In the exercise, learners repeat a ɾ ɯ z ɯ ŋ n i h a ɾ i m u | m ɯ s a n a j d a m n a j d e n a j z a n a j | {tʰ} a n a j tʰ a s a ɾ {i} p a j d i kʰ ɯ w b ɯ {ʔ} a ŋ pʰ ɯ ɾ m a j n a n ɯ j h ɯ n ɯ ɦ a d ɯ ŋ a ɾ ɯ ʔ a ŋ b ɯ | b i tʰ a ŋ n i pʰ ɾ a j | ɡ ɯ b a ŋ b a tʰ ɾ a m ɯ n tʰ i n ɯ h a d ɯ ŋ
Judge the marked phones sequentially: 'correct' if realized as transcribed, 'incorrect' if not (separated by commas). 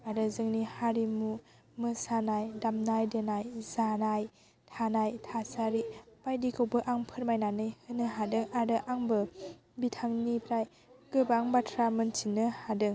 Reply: correct, correct, correct